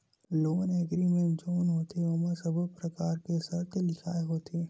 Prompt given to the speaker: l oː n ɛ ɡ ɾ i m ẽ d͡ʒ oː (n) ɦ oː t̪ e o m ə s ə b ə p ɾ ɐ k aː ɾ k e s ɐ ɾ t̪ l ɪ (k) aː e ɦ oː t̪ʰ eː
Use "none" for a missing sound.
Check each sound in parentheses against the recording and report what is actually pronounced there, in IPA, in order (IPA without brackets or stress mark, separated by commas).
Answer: n, kʰ